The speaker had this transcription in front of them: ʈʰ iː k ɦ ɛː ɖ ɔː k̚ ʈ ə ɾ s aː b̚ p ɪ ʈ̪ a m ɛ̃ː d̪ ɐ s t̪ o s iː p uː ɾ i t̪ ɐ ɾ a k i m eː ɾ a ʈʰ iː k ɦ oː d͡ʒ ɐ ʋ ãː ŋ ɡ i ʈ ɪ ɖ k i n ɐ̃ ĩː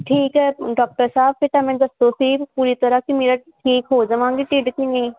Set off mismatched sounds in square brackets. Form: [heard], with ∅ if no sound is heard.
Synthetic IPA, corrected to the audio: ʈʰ iː k ɦ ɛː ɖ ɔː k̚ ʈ ə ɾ s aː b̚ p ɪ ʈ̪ a m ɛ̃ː d̪ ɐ s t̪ o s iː p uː ɾ i t̪ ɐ ɾ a k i m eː ɾ a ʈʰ iː k ɦ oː d͡ʒ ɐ ʋ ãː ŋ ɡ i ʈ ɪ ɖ k i n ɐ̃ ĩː